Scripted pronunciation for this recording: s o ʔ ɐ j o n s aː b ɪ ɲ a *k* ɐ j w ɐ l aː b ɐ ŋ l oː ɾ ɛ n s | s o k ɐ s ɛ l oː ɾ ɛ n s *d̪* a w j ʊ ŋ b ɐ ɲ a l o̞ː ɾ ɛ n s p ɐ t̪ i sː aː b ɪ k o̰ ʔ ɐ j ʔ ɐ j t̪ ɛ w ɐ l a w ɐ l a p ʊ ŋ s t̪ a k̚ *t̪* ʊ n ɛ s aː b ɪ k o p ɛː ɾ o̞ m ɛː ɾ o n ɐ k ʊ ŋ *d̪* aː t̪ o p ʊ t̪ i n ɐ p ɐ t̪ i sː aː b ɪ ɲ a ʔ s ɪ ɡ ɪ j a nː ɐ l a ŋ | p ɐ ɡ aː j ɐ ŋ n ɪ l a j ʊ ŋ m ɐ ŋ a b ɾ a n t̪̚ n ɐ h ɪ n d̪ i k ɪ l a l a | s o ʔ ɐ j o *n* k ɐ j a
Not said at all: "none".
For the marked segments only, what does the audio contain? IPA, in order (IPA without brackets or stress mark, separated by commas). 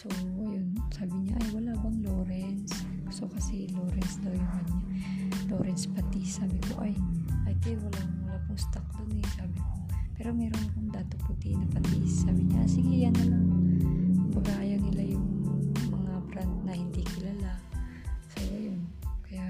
ʔ, d̪, d̪, d̪, n